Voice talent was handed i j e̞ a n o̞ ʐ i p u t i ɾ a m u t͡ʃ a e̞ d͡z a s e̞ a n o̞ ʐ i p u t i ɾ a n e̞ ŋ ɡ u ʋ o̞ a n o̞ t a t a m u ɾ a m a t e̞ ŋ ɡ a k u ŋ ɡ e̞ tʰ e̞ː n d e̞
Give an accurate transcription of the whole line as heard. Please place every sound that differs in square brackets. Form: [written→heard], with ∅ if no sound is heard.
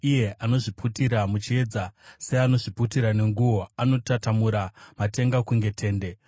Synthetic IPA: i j e̞ a n o̞ ʐ i p u t i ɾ a m u t͡ʃ [a→i] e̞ d͡z a s e̞ a n o̞ ʐ i p u t i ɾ a n e̞ ŋ ɡ u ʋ o̞ a n o̞ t a t a m u ɾ a m a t e̞ ŋ ɡ a k u ŋ ɡ e̞ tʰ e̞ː n d e̞